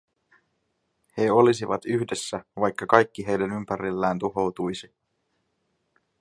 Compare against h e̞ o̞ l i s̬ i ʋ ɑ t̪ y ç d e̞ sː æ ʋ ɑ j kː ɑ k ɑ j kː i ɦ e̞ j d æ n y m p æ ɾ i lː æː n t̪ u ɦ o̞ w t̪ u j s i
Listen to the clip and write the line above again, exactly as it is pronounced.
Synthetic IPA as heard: h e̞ o̞ l i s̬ i ʋ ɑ t̪ y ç d e̞ sː æ ʋ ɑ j kː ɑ k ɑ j kː i ɦ e̞ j d æ n y m p æ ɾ i lː æː n t̪ u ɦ o̞ w t̪ u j s i